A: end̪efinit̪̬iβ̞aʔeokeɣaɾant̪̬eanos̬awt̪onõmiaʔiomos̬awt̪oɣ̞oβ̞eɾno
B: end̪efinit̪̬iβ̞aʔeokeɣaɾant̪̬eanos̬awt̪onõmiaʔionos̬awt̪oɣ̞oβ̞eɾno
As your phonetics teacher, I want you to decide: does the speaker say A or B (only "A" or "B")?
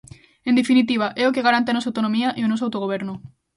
B